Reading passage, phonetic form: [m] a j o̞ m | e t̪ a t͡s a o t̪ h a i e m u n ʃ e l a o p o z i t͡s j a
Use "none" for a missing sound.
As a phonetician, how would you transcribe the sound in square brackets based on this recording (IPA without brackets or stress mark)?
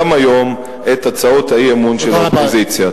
m